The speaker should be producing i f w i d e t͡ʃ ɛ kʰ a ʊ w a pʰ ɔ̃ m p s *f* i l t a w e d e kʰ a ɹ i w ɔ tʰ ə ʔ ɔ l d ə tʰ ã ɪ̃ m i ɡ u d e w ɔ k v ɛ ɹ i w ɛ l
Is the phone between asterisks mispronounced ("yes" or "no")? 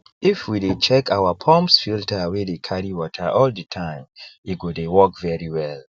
no